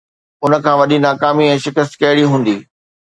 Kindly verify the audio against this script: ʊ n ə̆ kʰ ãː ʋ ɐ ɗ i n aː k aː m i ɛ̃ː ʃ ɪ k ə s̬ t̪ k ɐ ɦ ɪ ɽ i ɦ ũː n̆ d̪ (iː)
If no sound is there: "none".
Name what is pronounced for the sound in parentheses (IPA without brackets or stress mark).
iː